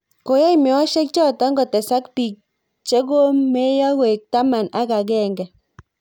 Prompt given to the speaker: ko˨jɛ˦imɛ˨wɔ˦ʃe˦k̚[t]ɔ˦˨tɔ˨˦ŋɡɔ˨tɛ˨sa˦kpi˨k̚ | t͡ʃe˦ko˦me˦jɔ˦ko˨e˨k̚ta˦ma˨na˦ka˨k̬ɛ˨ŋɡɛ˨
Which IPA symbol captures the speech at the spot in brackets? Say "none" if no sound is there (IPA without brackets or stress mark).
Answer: t͡ʃ